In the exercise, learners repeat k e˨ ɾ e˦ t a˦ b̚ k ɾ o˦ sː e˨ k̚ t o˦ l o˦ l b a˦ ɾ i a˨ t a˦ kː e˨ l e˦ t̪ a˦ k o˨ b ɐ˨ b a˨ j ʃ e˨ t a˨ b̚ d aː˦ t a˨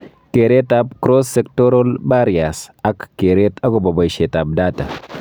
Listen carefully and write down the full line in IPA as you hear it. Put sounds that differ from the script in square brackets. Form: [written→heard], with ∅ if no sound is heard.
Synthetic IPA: k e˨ ɾ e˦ t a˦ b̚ k ɾ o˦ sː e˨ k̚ t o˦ [l→ɾ] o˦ l b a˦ ɾ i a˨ [t→s] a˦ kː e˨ [l→ɾ] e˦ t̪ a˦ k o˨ b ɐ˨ b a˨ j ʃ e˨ t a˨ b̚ d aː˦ t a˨